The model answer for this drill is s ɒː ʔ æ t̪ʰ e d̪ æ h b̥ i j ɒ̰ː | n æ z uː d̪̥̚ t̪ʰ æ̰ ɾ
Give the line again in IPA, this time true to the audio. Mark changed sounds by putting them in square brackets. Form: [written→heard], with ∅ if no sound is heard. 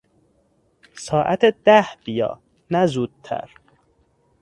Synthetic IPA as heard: s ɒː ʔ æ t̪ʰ e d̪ æ h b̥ i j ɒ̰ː | n æ z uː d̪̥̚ t̪ʰ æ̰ ɾ